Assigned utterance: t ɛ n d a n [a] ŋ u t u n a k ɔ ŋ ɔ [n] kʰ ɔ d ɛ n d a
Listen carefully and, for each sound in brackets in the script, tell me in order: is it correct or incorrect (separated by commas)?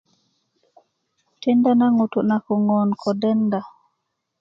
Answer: correct, correct